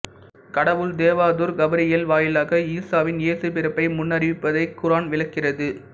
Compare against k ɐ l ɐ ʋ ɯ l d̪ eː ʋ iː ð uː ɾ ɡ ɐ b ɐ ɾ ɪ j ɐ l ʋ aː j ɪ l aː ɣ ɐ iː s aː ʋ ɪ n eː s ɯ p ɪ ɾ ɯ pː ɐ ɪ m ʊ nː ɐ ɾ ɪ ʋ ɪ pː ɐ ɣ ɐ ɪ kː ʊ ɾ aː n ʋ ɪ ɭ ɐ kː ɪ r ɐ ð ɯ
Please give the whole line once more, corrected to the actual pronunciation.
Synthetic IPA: k ɐ ɽ ɐ ʋ ɯ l d̪ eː ʋ aː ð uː ɾ ɡ ɐ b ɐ ɾ ɪ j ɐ l ʋ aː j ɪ l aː ɣ ɐ iː s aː ʋ ɪ n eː s ɯ p ɪ ɾ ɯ pː ɐ ɪ m ʊ nː ɐ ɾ ɪ ʋ ɪ pː ɐ ð ɐ ɪ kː ʊ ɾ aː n ʋ ɪ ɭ ɐ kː ɪ r ɐ ð ɯ